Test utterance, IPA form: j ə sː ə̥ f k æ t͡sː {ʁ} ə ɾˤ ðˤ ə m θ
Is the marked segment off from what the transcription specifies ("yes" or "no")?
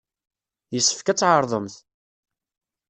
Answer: yes